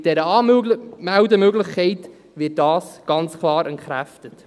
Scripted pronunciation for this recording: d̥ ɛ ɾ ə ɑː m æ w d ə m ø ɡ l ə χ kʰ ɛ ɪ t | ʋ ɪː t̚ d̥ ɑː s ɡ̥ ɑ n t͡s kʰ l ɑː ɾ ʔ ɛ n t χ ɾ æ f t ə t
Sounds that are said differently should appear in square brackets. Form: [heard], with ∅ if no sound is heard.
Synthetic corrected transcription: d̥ ɛ ɾ ə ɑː m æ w d ə m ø ɡ l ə χ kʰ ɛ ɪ t | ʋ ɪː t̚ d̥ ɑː s ɡ̥ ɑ n t͡s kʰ l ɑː ɾ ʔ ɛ n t χ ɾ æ f t ə t